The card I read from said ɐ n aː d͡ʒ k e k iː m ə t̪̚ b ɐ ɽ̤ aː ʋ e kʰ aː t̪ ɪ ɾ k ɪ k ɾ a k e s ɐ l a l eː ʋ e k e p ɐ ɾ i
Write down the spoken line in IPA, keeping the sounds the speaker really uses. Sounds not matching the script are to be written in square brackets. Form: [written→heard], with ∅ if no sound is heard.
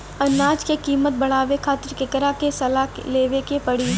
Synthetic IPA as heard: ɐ n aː d͡ʒ k e k iː m ə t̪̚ b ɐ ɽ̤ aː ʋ e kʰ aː t̪ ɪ ɾ k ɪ k ɾ a k e s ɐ l a l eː ʋ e k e p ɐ [ɾ→ɽ] i